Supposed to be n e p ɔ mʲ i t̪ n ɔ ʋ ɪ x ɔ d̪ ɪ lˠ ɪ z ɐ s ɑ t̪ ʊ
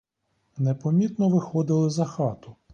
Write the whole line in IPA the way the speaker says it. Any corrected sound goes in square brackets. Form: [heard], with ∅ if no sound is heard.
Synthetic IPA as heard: n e p ɔ mʲ i t̪ n ɔ ʋ ɪ x ɔ d̪ ɪ lˠ ɪ z ɐ [x] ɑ t̪ ʊ